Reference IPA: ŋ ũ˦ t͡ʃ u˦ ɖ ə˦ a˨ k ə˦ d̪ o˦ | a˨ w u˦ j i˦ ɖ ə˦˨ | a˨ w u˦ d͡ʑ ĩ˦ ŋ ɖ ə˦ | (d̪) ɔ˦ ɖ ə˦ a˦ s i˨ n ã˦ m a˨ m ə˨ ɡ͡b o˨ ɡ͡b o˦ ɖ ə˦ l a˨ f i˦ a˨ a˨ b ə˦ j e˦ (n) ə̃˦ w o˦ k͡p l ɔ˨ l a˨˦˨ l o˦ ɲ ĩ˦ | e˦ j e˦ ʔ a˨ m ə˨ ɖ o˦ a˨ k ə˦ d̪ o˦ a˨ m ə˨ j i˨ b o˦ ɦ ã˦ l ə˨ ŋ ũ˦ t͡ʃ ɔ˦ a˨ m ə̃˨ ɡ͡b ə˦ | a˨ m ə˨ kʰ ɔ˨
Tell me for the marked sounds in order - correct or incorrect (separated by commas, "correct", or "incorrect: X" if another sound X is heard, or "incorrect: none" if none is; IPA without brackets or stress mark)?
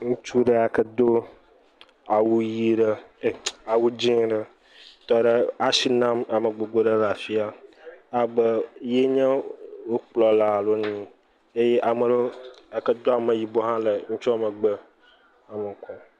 incorrect: t̪, incorrect: ɲ